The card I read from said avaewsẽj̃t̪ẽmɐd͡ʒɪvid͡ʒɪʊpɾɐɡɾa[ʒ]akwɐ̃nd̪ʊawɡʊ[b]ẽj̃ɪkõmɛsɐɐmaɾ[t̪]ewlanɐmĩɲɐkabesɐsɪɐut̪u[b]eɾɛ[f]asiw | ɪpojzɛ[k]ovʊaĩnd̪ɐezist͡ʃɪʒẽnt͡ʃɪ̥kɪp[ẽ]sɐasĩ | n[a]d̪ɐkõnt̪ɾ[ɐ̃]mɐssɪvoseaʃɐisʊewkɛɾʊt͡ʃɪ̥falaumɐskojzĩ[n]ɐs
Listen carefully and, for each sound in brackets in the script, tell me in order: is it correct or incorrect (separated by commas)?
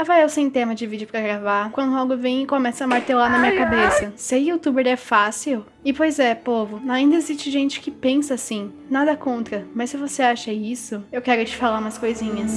incorrect, incorrect, correct, correct, correct, incorrect, correct, correct, incorrect, incorrect